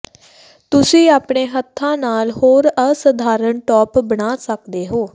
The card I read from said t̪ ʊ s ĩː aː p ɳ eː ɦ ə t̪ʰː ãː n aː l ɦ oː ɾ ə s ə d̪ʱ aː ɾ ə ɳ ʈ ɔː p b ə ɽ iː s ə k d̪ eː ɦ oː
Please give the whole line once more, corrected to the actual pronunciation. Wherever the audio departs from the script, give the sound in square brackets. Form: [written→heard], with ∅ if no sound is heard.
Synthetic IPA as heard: t̪ ʊ s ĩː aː p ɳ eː ɦ ə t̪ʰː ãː n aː l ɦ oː ɾ ə s ə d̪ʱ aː ɾ ə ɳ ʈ ɔː p b ə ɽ [iː→aː] s ə k d̪ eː ɦ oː